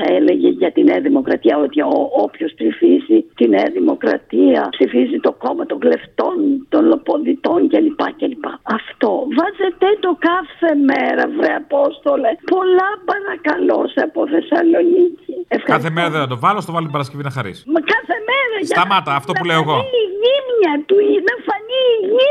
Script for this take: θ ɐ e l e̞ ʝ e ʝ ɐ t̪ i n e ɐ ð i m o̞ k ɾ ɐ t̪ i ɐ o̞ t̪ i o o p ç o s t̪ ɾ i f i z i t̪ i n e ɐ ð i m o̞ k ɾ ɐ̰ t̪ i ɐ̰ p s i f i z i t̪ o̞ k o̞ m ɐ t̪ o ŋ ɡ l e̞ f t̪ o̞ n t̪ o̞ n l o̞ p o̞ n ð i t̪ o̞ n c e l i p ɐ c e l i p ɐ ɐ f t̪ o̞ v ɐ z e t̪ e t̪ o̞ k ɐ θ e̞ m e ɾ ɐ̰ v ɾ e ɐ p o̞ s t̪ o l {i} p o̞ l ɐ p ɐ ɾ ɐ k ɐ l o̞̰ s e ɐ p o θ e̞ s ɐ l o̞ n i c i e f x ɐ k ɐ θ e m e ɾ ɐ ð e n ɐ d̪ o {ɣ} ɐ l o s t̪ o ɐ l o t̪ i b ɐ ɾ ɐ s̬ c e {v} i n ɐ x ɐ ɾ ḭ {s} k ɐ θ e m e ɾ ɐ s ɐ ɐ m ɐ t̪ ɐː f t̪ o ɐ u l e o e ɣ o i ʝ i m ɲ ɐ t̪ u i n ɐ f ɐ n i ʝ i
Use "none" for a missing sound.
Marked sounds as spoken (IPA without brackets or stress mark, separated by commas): e, v, v, s